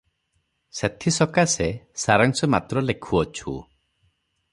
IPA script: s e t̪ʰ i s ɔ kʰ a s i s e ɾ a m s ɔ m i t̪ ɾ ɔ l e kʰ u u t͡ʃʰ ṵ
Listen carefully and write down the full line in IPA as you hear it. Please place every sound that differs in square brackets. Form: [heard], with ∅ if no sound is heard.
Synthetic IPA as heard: s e t̪ʰ i s ɔ [k] a s [e] s [a] ɾ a [ŋ] s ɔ m [a] t̪ ɾ ɔ l e kʰ u [ɔ] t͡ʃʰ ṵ